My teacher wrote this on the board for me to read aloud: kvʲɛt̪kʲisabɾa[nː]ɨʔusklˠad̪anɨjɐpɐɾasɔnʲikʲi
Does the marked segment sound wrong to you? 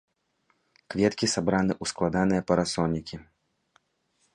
yes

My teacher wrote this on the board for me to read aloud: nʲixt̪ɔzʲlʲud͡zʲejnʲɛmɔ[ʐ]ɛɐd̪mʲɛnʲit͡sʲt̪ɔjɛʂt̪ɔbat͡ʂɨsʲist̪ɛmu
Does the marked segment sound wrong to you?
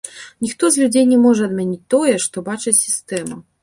no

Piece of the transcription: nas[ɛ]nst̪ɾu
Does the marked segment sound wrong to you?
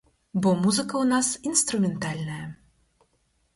yes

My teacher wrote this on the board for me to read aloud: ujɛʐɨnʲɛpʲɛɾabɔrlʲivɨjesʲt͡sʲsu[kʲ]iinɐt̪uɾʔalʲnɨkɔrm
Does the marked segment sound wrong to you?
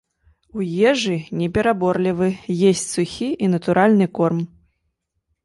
yes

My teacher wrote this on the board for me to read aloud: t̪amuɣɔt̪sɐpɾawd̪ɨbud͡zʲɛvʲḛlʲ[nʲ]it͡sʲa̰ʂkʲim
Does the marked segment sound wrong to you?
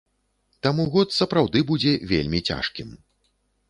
yes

